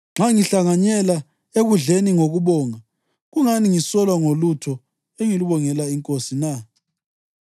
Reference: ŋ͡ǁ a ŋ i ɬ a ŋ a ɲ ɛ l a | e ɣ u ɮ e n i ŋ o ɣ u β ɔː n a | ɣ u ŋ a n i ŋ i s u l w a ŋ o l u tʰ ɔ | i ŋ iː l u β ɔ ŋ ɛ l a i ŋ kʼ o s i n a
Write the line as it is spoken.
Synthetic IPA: ŋ͡ǁ a ŋ i ɬ a ŋ a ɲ ɛ l a | e ɣ u ɮ e n i ŋ o ɣ u β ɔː ŋ a | ɣ u ŋ a n i ŋ i s ɔ l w a ŋ o l u tʰ ɔ | e ŋ i l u β ɔ ŋ ɛ l a i ŋ kʼ o s i n a